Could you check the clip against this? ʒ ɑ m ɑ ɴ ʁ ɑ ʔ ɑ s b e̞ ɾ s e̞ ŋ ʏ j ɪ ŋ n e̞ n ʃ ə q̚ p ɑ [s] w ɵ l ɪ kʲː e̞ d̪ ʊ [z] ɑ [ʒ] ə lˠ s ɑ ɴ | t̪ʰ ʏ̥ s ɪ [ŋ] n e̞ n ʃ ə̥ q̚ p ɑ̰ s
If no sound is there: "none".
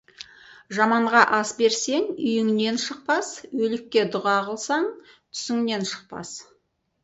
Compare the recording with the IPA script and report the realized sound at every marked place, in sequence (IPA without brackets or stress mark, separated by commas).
s, ʁ, ʁ, ŋ